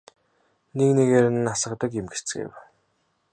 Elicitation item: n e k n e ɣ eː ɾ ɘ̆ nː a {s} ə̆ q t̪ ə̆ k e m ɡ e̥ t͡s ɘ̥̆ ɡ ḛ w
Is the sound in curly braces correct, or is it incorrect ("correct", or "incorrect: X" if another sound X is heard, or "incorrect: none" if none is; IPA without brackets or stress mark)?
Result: correct